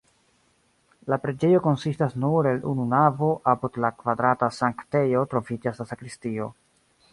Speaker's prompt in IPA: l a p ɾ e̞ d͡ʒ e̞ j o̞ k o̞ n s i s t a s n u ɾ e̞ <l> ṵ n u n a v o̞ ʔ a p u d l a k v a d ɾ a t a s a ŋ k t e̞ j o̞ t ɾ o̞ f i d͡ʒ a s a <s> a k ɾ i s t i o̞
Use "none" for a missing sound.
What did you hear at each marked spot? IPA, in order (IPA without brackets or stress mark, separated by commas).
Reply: l, s